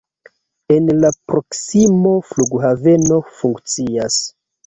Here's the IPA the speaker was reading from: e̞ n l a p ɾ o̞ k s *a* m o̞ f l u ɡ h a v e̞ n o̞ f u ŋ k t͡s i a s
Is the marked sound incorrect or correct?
incorrect